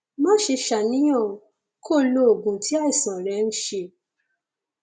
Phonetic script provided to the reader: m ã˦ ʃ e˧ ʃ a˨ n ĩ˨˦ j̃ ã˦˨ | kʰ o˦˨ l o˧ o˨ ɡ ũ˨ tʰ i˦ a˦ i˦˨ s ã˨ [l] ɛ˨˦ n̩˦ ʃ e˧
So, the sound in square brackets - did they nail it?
no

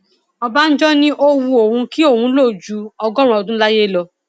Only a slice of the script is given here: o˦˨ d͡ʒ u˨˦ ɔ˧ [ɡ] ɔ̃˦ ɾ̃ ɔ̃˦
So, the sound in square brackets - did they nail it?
yes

